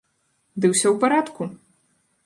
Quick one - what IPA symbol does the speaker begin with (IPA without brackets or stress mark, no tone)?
d̪